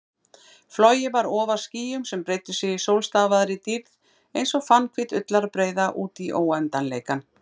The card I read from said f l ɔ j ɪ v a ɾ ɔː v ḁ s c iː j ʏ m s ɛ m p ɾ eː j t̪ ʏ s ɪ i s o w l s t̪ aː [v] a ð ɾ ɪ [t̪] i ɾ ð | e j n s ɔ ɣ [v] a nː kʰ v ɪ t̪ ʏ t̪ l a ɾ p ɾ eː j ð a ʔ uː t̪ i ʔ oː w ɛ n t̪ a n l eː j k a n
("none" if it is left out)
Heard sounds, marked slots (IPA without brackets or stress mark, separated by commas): v, t̪, f